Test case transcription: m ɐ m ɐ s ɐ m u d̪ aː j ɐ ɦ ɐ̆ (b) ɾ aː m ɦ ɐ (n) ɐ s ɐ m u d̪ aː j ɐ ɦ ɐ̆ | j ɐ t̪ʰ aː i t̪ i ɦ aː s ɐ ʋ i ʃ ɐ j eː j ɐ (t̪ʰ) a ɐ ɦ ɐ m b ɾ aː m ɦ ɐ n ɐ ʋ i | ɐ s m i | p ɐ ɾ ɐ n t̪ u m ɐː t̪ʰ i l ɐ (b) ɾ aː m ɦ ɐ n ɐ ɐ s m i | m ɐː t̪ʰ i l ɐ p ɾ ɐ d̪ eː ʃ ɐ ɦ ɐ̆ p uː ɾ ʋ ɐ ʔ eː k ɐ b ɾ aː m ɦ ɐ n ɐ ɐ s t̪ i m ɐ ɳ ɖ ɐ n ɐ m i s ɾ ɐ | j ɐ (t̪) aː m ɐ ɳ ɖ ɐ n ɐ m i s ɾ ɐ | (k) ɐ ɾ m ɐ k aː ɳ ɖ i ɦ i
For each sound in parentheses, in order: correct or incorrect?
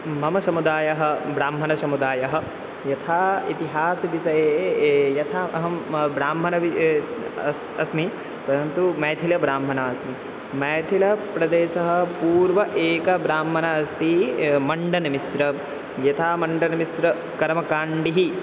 correct, correct, correct, correct, incorrect: t̪ʰ, correct

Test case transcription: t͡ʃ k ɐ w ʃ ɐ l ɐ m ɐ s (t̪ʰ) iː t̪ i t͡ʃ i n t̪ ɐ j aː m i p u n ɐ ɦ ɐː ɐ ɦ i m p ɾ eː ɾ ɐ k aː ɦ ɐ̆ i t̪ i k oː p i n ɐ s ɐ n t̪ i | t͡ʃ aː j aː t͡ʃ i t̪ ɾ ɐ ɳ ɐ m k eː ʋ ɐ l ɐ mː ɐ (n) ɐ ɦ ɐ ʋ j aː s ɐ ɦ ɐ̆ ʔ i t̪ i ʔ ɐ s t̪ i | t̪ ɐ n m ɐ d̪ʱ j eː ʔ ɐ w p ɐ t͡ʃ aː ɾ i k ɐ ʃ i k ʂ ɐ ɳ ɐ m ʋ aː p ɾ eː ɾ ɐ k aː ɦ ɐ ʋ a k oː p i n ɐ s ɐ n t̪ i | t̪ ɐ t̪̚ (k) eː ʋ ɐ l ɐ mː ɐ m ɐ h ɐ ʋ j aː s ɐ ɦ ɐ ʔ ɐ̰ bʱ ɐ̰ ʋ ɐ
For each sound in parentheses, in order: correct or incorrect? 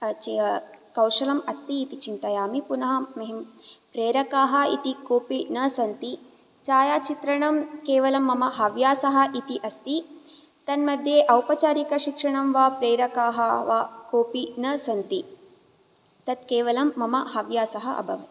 incorrect: t̪, incorrect: m, correct

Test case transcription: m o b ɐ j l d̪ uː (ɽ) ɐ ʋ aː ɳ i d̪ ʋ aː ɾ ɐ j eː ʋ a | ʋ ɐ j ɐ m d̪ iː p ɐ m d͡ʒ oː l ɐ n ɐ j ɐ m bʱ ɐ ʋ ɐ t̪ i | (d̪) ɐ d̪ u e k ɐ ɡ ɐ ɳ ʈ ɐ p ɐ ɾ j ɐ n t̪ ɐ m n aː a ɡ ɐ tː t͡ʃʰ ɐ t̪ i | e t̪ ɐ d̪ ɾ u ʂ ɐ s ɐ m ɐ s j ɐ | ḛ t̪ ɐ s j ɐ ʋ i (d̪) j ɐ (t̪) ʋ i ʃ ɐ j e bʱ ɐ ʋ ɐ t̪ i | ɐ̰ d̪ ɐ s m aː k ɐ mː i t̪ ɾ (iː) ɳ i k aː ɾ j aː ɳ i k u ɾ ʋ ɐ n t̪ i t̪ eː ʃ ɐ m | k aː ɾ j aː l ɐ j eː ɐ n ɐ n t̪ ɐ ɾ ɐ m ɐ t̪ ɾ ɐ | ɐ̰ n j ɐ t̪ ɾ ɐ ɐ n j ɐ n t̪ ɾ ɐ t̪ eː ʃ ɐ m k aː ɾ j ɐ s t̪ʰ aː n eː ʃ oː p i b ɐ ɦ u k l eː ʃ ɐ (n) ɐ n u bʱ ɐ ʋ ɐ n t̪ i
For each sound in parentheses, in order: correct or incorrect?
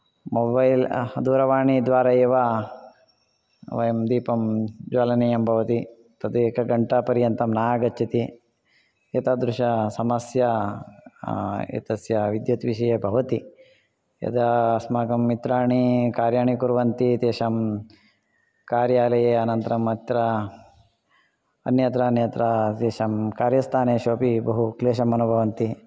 incorrect: ɾ, incorrect: t̪, correct, correct, incorrect: aː, incorrect: m

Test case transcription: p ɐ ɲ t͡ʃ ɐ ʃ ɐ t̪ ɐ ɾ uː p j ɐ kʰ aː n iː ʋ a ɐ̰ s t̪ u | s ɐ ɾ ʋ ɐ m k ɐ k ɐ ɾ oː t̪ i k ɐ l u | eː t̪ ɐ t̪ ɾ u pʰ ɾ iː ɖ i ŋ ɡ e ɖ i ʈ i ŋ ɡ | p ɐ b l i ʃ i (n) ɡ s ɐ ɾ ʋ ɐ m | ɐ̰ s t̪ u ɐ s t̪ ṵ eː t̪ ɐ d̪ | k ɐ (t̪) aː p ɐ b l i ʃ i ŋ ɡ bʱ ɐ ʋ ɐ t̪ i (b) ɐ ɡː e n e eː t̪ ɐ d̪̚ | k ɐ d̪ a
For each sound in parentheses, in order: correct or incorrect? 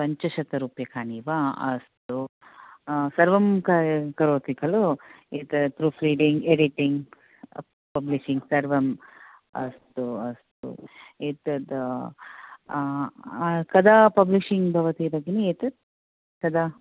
incorrect: ŋ, incorrect: d̪, correct

